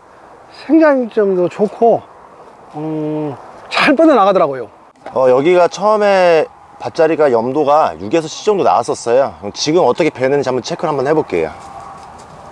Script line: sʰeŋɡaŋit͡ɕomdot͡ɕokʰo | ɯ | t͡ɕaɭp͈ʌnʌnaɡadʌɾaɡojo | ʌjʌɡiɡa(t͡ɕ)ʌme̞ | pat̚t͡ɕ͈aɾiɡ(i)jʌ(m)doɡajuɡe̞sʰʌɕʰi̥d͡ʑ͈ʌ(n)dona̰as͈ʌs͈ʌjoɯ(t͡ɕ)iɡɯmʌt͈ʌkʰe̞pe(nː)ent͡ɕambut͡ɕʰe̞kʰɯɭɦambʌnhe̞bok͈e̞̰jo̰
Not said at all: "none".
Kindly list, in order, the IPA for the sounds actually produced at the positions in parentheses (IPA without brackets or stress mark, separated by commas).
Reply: t͡ɕʰ, a, m, ŋ, t͡ɕ, n